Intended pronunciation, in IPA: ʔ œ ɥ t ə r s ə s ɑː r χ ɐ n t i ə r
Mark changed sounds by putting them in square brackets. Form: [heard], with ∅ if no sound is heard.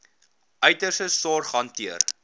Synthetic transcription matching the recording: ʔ œ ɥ t ə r s ə s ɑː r χ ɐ n t i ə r